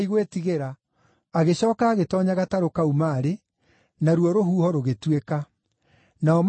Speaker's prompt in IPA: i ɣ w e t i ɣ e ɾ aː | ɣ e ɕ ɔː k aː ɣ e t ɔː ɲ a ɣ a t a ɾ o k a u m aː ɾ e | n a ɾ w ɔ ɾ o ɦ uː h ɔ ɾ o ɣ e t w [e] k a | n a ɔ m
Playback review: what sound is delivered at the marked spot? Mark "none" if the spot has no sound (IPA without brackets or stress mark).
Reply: e